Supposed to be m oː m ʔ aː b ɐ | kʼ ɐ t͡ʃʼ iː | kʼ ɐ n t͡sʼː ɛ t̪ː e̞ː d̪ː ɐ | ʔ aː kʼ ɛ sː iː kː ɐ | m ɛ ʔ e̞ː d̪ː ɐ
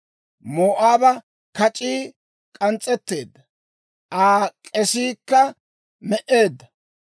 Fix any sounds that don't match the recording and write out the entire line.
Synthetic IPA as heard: m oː ʔ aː b ɐ | k ɐ t͡ʃʼ iː | kʼ ɐ n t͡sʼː ɛ t̪ː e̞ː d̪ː ɐ | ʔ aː kʼ ɛ s iː kː ɐ | m ɛ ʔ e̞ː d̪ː ɐ